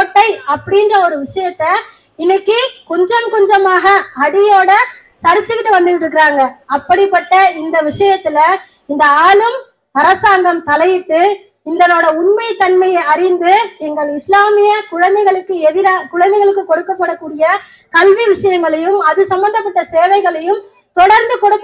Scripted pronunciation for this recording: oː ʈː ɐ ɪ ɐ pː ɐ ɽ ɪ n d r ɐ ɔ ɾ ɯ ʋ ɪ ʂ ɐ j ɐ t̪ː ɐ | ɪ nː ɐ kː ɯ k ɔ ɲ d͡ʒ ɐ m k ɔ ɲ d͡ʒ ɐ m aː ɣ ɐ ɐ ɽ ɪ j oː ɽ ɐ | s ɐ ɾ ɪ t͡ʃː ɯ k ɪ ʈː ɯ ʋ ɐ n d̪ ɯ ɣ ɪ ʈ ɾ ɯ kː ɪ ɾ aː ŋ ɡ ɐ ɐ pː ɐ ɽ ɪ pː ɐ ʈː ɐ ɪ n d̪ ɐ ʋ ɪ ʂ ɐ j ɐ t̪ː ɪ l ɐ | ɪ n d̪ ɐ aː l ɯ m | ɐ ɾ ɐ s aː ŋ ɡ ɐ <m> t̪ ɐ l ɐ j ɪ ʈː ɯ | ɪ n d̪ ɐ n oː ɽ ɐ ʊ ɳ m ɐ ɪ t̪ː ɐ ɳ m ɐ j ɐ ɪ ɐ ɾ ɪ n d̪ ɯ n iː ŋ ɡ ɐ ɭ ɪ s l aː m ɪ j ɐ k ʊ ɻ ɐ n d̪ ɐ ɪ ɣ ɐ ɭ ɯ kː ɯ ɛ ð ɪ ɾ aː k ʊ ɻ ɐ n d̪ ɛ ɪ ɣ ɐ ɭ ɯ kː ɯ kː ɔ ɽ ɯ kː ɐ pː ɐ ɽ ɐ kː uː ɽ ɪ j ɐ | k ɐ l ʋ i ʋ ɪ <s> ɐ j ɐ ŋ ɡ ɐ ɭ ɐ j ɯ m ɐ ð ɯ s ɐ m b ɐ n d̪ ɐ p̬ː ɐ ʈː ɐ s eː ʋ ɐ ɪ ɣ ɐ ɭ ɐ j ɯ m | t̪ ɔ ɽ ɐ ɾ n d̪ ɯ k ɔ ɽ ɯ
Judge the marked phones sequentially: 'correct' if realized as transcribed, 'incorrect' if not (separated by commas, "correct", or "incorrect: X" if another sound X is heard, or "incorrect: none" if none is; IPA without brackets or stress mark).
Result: correct, incorrect: ʂ